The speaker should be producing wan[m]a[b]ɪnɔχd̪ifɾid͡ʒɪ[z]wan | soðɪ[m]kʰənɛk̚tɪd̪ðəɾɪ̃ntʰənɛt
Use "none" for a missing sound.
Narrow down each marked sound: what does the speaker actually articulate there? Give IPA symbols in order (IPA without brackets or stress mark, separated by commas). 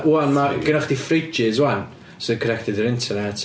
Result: m, ɡ, z, none